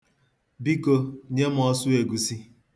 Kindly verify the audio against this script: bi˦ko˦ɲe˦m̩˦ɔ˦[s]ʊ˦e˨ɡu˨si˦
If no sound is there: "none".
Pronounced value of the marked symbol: s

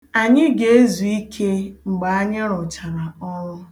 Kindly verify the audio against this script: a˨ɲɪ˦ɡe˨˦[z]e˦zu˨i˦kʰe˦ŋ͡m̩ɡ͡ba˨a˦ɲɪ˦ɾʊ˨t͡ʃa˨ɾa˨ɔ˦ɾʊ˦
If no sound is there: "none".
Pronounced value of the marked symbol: none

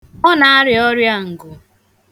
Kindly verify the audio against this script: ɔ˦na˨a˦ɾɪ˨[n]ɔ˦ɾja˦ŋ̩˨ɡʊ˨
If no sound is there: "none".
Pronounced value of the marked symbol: none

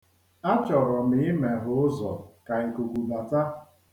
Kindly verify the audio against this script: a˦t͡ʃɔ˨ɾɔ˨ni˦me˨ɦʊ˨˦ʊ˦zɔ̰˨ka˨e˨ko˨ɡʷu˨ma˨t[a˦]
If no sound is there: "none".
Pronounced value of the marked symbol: a˦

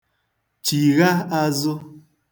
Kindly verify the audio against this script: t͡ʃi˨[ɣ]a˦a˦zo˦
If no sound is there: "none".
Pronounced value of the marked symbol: ɣ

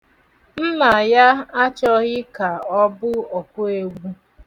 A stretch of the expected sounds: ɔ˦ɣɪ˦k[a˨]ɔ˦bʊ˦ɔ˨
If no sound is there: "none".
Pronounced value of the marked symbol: a˨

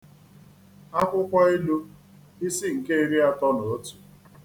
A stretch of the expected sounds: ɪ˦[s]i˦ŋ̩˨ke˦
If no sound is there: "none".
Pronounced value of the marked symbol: s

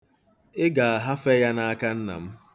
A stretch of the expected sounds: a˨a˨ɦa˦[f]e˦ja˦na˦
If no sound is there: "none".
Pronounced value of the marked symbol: f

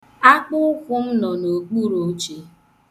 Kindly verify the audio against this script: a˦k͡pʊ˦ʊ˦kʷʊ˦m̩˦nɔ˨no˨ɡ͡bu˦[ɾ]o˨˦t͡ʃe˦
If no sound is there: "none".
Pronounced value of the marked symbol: ɾ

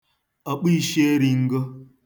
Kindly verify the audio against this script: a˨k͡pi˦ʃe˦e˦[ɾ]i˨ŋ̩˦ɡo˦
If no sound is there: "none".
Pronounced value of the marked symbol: ɾ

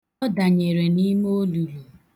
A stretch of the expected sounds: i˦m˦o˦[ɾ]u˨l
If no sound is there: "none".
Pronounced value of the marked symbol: l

